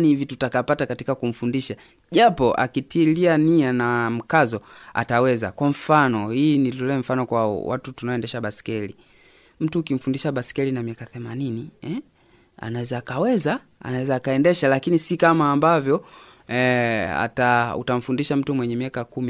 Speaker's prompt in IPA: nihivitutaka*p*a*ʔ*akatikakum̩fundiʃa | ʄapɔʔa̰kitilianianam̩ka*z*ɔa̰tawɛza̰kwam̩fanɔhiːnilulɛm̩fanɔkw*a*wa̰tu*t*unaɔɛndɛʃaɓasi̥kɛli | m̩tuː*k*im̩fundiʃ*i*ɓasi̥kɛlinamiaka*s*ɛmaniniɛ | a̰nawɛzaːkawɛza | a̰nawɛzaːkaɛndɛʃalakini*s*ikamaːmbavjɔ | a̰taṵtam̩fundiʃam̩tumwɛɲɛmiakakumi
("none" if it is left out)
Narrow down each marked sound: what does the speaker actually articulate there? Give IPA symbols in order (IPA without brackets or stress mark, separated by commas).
p, t, z, a, t, k, a, θ, s